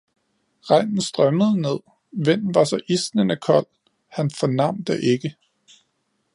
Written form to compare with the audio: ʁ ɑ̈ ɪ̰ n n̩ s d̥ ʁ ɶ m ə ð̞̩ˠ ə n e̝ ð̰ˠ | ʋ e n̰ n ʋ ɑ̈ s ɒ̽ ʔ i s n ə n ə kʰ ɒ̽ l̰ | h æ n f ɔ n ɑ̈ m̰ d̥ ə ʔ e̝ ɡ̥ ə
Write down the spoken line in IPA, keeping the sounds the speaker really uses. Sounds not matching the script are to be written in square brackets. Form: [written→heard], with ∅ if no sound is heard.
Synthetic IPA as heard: ʁ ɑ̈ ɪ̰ n n̩ s d̥ ʁ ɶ m ə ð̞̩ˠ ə n e̝ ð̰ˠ | ʋ e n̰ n ʋ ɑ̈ s ɒ̽ ʔ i s n ə n ə kʰ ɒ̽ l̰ | h æ n f [ɔ→ɒ] n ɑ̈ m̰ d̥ ə ʔ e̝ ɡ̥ ə